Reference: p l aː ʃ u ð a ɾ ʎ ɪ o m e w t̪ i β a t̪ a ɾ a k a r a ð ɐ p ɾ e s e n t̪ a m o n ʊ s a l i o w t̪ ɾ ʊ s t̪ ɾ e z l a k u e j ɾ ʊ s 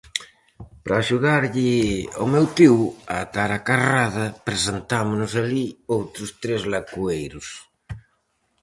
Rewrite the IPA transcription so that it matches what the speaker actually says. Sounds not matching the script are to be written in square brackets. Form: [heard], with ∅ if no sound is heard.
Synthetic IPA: p [ɾ] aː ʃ u ð a ɾ ʎ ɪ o m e w t̪ i [w] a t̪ a ɾ a k a r a ð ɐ p ɾ e s e n t̪ a m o n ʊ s a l i o w t̪ ɾ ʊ s t̪ ɾ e z l a k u e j ɾ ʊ s